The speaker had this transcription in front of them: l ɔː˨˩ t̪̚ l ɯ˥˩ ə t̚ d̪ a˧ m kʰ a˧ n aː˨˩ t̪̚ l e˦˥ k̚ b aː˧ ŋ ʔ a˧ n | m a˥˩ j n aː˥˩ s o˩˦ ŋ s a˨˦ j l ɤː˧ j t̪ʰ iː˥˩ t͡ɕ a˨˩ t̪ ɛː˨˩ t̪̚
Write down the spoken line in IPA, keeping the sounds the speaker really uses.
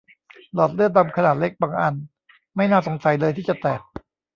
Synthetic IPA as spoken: l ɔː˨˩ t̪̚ l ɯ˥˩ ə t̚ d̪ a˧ m kʰ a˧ n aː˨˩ t̪̚ l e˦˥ k̚ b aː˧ ŋ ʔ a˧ n | m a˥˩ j n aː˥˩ s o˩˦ ŋ s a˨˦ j l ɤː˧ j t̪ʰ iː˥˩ t͡ɕ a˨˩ t̪ ɛː˨˩ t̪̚